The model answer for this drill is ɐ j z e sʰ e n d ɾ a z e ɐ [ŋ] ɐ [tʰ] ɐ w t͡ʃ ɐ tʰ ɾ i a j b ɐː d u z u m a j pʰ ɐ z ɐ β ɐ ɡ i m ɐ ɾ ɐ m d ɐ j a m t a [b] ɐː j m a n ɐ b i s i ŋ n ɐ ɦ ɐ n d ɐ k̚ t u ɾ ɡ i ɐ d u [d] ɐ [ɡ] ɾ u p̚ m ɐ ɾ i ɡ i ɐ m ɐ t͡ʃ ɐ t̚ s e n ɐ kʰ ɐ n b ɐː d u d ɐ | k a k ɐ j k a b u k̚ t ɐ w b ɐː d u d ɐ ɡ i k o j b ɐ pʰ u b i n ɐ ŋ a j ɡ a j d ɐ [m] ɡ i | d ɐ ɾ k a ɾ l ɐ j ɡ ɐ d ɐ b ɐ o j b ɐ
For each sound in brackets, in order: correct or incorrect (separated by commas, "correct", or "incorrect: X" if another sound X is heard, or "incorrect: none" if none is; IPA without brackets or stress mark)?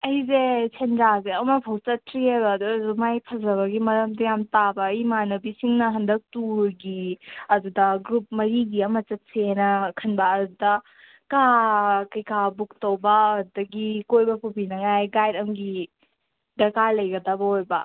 incorrect: m, incorrect: pʰ, correct, correct, correct, correct